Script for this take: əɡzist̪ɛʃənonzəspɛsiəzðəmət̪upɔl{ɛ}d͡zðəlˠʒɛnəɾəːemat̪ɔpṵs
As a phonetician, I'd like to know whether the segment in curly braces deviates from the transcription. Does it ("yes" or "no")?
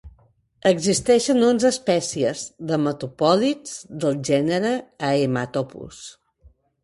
yes